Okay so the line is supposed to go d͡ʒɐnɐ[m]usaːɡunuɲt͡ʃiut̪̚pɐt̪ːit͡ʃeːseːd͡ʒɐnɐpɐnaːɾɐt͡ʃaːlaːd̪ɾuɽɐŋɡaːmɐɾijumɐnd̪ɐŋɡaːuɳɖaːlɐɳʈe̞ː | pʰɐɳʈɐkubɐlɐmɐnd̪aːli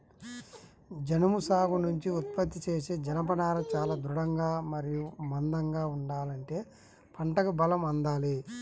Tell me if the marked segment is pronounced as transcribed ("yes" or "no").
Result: yes